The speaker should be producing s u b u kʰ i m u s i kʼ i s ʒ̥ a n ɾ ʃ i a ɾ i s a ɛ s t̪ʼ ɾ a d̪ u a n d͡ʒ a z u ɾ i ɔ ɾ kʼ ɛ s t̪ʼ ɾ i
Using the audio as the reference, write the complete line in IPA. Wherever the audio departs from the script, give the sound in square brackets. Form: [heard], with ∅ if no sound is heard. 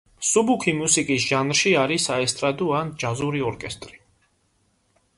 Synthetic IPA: s u b u kʰ i m u s i kʼ i s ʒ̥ a n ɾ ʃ i a ɾ i s a ɛ s t̪ʼ ɾ a d̪ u a n d͡ʒ a z u ɾ i ɔ ɾ kʼ ɛ s t̪ʼ ɾ i